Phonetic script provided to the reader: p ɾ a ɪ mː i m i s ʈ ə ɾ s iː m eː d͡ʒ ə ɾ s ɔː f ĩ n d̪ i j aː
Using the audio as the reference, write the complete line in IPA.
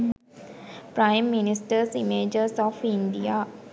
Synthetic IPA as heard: p ɾ a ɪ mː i n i s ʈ ə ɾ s i m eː d͡ʒ ə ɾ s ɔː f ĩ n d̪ i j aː